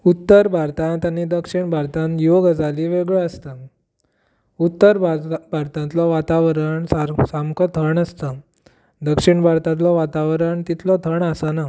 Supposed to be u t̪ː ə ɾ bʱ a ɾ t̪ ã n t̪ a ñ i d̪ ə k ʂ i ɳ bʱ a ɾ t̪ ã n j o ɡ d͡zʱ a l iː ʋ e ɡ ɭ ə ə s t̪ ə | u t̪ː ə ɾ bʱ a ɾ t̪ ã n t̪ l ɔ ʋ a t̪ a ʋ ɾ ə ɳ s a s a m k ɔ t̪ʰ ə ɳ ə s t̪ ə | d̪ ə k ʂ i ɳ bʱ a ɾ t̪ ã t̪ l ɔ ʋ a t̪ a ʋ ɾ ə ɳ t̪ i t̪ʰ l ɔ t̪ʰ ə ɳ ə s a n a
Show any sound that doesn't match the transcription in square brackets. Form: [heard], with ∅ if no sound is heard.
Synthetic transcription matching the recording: u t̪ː ə ɾ bʱ a ɾ t̪ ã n t̪ a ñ i d̪ ə k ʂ i ɳ bʱ a ɾ t̪ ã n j o ɡ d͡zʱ a l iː ʋ e ɡ ɭ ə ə s t̪ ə | u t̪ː ə ɾ bʱ a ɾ t̪ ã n t̪ l ɔ ʋ a t̪ a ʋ ɾ ə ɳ s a s a m k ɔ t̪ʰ ə ɳ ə s t̪ ə | d̪ ə k ʂ i ɳ bʱ a ɾ t̪ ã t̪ l ɔ ʋ a t̪ a ʋ ɾ ə ɳ t̪ i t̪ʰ l ɔ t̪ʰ ə ɳ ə s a n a